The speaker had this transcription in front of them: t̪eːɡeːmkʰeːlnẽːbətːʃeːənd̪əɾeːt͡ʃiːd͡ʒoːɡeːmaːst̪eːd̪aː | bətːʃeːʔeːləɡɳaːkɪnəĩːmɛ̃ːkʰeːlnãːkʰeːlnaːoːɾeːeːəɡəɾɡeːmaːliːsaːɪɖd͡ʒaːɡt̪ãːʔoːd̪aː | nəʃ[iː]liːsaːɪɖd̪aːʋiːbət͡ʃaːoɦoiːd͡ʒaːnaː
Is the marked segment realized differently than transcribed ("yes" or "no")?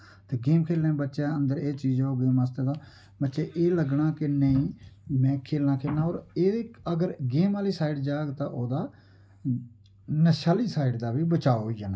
yes